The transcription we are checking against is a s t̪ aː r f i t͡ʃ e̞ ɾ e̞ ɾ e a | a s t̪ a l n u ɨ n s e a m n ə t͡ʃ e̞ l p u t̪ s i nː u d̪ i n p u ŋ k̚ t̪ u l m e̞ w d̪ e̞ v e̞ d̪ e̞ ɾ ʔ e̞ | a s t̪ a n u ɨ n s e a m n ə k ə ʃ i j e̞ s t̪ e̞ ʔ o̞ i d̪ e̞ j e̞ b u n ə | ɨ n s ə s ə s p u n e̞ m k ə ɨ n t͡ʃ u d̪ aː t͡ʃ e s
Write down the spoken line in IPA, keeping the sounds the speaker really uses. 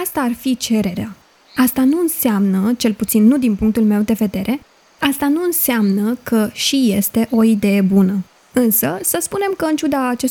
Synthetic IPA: a s t̪ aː r f i t͡ʃ e̞ ɾ e̞ ɾ e a | a s t̪ a n u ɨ n s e a m n ə t͡ʃ e̞ l p u t̪ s i nː u d̪ i n p u ŋ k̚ t̪ u l m e̞ w d̪ e̞ v e̞ d̪ e̞ ɾ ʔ e̞ | a s t̪ a n u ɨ n s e a m n ə k ə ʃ i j e̞ s t̪ e̞ ʔ o̞ i d̪ e̞ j e̞ b u n ə | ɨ n s ə s ə s p u n e̞ m k ə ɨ n t͡ʃ u d̪ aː t͡ʃ e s